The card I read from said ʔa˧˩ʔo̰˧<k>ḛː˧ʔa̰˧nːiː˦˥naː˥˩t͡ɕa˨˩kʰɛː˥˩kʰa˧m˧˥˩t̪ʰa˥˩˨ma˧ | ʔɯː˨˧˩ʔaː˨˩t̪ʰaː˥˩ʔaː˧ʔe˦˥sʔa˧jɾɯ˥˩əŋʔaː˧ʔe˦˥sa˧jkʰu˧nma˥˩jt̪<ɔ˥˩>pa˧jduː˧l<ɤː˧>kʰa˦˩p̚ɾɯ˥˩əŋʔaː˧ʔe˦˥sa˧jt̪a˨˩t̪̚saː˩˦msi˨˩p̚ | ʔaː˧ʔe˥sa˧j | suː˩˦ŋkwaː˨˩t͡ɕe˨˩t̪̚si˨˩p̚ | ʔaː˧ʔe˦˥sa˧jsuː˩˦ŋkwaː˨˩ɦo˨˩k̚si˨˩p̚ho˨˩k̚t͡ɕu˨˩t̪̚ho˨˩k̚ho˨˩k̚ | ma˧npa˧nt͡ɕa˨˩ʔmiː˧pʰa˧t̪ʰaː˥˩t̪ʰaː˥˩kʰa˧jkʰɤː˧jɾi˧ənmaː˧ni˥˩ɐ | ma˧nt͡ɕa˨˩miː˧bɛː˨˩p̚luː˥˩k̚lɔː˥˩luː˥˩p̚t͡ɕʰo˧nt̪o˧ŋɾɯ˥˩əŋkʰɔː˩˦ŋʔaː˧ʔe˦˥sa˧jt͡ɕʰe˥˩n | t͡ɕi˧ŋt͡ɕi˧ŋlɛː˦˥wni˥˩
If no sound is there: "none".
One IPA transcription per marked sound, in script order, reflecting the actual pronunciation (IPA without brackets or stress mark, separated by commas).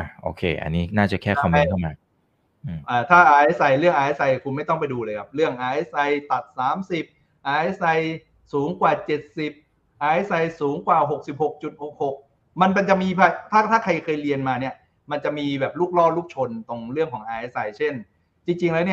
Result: kʰ, ɔ˥˩, ɤː˧